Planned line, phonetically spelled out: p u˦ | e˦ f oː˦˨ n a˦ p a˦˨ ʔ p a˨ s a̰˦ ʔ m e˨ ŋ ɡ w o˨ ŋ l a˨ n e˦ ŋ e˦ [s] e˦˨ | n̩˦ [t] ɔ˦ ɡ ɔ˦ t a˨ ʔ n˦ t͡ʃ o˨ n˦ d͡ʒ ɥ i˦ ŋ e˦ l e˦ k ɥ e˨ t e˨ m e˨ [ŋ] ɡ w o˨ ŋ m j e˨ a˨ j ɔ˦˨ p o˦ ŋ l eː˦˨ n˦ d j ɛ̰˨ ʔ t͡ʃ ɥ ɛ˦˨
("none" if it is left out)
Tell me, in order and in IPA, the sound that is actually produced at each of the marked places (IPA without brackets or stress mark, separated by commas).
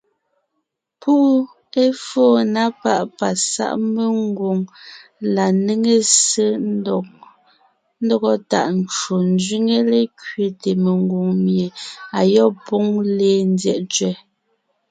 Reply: s, d, ŋ